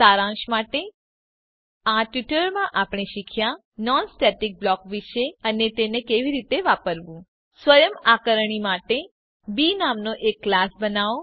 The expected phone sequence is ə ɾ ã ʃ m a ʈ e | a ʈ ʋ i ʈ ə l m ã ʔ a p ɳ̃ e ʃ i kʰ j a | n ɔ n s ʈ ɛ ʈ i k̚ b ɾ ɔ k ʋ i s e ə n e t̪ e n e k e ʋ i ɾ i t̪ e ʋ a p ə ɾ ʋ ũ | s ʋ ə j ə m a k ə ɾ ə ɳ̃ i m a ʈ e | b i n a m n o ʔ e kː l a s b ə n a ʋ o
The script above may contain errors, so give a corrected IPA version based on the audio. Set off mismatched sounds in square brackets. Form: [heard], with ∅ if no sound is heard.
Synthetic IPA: [a] ɾ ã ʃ m a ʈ e | a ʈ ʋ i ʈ ə [ɾ] m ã ʔ a p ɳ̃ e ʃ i kʰ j a | n ɔ n s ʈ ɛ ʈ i k̚ b [l] ɔ k ʋ i [ʃ] e ə n e t̪ e n e k e ʋ i ɾ i t̪ e ʋ a p ə ɾ ʋ ũ | s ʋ ə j ə m a k ə ɾ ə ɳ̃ i m a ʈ e | b i n a m n o ʔ e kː l a s b ə n a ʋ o